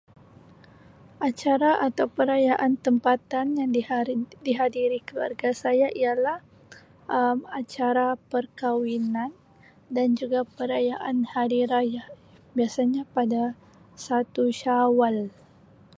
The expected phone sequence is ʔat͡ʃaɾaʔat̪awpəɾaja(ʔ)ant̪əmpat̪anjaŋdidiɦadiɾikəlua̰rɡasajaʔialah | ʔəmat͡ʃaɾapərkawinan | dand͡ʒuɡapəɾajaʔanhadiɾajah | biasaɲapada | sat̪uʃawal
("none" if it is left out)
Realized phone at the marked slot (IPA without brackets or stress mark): ʔ